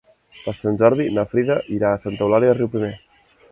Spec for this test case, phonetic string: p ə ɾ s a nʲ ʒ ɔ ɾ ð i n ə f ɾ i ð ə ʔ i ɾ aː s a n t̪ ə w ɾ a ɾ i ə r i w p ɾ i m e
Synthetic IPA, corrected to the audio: p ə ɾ s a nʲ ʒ ɔ ɾ ð i n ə f ɾ i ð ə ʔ i ɾ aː s a n t̪ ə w l a ɾ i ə r i w p ɾ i m e

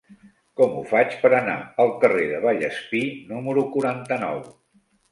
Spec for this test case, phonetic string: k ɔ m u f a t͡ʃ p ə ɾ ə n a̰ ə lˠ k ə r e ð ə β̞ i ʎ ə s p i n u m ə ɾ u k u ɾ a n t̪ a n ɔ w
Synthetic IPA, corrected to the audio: k ɔ m u f a t͡ʃ p ə ɾ ə n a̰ ə lˠ k ə r e ð ə β̞ a ʎ ə s p i n u m ə ɾ u k u ɾ a n t̪ ə n ɔ w

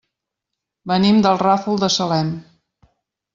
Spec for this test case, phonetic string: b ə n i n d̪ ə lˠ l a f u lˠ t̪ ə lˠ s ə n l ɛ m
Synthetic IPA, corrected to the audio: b ə n i m d̪ ə lˠ r a f u lˠ d̪ ə s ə l ɛ m

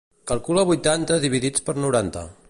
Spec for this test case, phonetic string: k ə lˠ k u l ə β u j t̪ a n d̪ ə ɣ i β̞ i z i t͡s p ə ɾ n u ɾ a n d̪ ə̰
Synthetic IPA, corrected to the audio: k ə lˠ k u l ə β u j t̪ a n t̪ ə ð i β̞ i ð i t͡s p ə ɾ n u ɾ a n t̪ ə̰

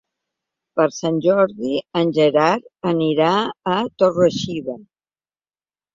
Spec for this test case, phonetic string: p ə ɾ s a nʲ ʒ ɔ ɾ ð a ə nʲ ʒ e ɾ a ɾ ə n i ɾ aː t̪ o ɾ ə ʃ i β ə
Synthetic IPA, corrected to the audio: p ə ɾ s a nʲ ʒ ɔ ɾ ð i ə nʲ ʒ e ɾ a ɾ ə n i ɾ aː t̪ o r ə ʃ i β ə

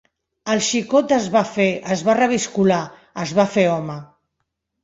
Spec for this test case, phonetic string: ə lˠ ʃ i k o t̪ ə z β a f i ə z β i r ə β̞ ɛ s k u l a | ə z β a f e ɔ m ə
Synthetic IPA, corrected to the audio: ə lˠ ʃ i k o t̪ ə z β a f e ə z β a r ə β̞ i s k u l a | ə z β a f e ɔ m ə

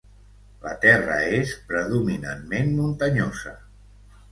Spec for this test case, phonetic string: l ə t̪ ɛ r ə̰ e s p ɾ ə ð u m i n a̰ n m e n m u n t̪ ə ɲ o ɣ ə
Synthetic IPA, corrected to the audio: l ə t̪ ɛ r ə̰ e s p ɾ ə ð u m i n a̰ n m e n m u n t̪ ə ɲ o z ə

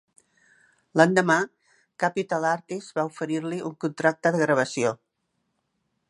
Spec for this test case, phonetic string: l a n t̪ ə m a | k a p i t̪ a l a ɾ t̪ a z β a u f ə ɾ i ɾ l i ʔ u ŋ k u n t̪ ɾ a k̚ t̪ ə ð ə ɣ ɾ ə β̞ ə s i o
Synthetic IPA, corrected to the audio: l a n d̪ ə m a | k a p i t̪ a l a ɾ t̪ i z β a u f ə ɾ i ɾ l i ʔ u ŋ k u n t̪ ɾ a k̚ t̪ ə ð ə ɣ ɾ ə β̞ ə s i o

